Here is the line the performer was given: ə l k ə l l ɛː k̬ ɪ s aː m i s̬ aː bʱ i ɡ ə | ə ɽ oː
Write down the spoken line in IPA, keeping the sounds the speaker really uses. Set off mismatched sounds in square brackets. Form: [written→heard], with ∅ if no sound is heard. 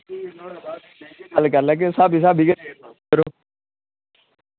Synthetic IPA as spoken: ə l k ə [l→ɾ] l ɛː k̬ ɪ s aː [m→b] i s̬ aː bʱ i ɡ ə | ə [ɽ→ɾ] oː